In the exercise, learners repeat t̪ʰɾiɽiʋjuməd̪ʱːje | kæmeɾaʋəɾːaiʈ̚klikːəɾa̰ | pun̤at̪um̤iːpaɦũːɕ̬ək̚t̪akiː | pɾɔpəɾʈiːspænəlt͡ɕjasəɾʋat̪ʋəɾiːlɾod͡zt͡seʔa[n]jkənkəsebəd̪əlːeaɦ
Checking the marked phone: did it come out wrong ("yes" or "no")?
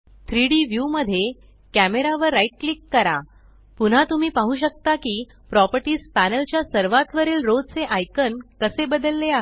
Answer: yes